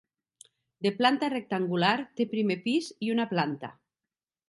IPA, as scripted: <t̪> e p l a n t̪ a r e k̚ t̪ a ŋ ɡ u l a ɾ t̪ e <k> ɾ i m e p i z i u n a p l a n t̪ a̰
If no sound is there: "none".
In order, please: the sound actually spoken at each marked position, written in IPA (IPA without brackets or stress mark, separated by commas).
d̪, p